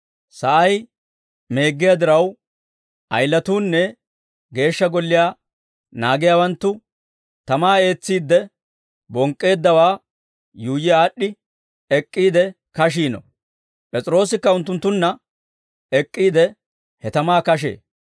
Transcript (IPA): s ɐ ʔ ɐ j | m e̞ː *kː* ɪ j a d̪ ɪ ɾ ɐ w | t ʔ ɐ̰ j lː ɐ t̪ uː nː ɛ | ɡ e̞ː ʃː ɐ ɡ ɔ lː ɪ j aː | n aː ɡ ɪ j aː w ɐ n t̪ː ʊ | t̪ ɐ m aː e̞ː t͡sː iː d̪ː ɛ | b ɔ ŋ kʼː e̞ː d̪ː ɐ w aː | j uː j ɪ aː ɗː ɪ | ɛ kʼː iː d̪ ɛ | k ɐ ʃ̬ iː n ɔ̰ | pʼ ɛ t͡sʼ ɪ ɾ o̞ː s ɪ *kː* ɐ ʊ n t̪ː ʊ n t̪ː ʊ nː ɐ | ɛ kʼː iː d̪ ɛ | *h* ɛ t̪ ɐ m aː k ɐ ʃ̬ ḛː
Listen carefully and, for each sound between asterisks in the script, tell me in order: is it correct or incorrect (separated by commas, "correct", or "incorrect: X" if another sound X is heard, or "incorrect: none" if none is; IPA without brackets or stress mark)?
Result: incorrect: ɡː, correct, correct